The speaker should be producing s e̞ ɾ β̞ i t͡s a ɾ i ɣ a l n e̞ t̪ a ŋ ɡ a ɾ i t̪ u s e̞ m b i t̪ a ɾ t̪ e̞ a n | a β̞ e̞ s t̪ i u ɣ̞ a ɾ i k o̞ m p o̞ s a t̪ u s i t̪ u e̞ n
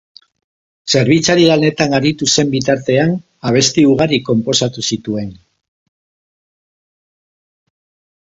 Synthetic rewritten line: s e̞ ɾ β̞ i t͡s a ɾ i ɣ a l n e̞ t̪ a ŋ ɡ a ɾ i t̪ u s e̞ m b i t̪ a ɾ t̪ e̞ a n | a β̞ e̞ s t̪ i u ɣ̞ a ɾ i k o̞ m p o̞ s a t̪ u s i t̪ u e̞ n